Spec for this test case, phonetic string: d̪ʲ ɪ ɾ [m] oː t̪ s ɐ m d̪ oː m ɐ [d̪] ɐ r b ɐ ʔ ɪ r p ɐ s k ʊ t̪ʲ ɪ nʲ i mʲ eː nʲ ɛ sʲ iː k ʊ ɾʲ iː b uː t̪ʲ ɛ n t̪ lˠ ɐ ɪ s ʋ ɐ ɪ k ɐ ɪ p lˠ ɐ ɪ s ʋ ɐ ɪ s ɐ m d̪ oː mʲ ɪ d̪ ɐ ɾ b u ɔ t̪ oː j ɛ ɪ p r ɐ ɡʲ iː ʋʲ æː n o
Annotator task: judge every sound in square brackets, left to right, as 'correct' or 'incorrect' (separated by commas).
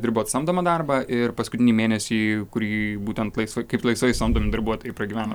incorrect, correct